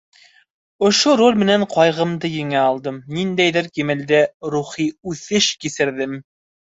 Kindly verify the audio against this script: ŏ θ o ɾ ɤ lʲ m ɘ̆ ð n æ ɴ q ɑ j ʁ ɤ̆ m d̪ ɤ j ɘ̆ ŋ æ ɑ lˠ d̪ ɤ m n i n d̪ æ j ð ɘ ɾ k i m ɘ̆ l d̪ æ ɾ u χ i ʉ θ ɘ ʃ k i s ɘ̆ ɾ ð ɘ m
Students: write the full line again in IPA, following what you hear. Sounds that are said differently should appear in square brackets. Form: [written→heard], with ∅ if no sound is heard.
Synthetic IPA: ŏ [θ→ʃ] o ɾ [ɤ→o] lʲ m ɘ̆ [ð→∅] n æ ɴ q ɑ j ʁ ɤ̆ m d̪ ɤ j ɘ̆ ŋ æ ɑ lˠ d̪ ɤ m n i n d̪ æ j ð ɘ ɾ k i m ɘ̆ l d̪ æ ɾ u χ i ʉ θ ɘ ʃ k i s ɘ̆ ɾ ð ɘ m